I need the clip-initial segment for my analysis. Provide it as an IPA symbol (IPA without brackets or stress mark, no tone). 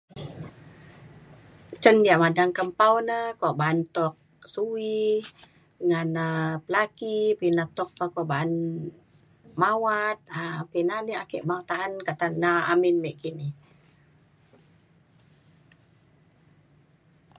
t͡ʃ